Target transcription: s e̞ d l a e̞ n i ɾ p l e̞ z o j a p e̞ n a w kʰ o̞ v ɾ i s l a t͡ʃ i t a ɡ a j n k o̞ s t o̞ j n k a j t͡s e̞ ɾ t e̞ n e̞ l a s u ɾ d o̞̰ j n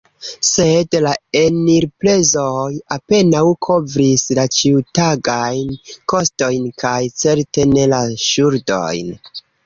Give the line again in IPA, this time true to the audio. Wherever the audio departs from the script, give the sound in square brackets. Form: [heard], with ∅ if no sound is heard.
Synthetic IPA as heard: s e̞ d l a e̞ n i ɾ p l e̞ z o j a p e̞ n a w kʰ o̞ v ɾ i s l a t͡ʃ i t a ɡ a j n k o̞ s t o̞ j n k a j t͡s e̞ ɾ t e̞ n e̞ l a [ʃ] u ɾ d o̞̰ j n